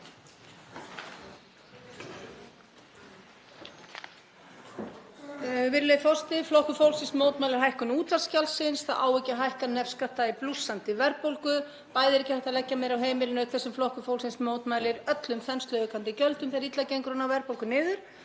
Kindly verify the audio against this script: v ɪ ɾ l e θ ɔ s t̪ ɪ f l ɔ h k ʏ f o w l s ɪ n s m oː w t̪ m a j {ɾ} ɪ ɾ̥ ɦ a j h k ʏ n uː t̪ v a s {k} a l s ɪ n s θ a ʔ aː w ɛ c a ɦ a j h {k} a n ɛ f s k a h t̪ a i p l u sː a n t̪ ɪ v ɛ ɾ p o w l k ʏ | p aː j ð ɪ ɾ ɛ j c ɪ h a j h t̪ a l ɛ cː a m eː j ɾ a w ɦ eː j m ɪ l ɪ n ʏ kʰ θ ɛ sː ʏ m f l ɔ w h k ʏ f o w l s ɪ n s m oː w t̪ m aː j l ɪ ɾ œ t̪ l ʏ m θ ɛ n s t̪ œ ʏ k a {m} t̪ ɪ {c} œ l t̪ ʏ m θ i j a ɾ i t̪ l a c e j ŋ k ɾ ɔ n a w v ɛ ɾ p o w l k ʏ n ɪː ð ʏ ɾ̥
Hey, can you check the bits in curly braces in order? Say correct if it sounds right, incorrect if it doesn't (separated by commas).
incorrect, incorrect, correct, incorrect, correct